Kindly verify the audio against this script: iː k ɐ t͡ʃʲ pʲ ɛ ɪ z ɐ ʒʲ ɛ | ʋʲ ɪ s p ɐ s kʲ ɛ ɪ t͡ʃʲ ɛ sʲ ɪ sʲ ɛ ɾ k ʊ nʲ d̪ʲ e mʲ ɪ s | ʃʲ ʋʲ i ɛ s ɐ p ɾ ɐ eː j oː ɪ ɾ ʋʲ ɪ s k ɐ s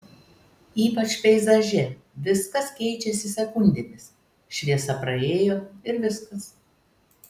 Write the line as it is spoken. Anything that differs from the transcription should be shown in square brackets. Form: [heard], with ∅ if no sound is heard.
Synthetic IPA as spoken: iː [p] ɐ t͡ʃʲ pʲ ɛ ɪ z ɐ ʒʲ ɛ | ʋʲ ɪ s [k] ɐ s kʲ ɛ ɪ t͡ʃʲ ɛ sʲ ɪ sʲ ɛ [∅] k ʊ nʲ d̪ʲ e mʲ ɪ s | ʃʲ ʋʲ i ɛ s ɐ p ɾ ɐ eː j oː ɪ ɾ ʋʲ ɪ s k ɐ s